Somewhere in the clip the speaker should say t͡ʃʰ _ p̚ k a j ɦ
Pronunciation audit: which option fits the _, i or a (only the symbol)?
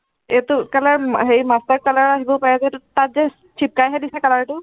i